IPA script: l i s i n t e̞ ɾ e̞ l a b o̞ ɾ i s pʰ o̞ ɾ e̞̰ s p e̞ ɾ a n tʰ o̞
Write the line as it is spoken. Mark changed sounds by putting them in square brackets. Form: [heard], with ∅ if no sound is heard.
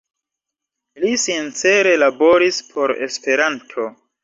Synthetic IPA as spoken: l i s i n [t͡s] e̞ ɾ e̞ l a b o̞ ɾ i s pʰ o̞ ɾ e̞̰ s p e̞ ɾ a n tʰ o̞